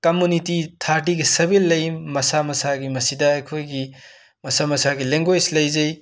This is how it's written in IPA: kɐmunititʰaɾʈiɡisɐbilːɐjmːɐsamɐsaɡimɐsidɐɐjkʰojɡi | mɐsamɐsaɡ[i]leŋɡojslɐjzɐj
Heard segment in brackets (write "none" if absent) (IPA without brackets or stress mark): i